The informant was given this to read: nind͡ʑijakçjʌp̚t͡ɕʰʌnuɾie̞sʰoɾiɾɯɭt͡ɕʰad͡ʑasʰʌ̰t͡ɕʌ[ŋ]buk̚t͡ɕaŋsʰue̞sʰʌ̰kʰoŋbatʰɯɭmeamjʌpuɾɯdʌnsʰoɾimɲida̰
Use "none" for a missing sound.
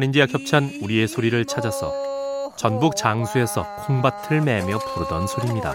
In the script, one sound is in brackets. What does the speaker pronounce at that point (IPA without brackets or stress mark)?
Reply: n